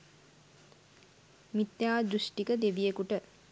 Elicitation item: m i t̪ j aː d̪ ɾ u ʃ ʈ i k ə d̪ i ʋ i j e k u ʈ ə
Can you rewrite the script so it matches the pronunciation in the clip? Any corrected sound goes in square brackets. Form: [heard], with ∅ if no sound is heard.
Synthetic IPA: m i t̪ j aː d̪ ɾ u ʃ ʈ i k ə d̪ [e] ʋ i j e k u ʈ ə